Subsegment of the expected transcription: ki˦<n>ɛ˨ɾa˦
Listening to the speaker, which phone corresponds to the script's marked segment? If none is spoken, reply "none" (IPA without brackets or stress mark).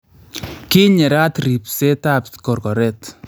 ɲ